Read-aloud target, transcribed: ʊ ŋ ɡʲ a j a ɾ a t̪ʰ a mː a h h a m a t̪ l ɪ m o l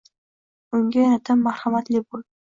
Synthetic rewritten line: ʊ ŋ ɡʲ a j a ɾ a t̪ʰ a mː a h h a m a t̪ l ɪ b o l